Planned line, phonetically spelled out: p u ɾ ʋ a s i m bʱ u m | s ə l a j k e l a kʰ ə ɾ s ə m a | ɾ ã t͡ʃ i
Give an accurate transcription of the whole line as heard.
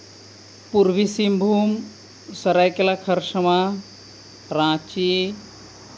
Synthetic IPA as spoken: p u ɾ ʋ i s i m bʱ u m | s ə ɾ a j k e l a kʰ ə ɾ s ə m a | ɾ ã t͡ʃ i